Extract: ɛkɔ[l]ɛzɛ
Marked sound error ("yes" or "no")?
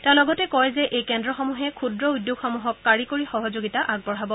yes